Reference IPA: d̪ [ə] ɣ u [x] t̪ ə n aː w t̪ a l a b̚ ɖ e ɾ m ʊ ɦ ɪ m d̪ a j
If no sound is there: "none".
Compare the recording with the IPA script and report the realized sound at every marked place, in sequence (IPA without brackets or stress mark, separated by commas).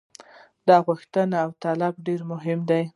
ɑ, x